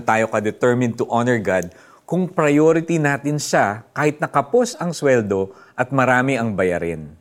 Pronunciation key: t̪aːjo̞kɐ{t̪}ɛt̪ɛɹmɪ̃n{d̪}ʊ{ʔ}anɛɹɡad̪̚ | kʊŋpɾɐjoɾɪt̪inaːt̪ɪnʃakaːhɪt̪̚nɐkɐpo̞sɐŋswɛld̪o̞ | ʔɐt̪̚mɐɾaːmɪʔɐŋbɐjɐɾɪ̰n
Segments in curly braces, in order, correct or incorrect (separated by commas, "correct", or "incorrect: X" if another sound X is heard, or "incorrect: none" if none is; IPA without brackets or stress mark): incorrect: d̪, incorrect: t̪, correct